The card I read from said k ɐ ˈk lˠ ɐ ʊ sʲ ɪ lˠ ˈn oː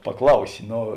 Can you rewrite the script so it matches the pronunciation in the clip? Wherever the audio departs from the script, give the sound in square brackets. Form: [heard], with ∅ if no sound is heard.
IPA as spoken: [p] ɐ ˈk lˠ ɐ ʊ sʲ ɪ [∅] ˈn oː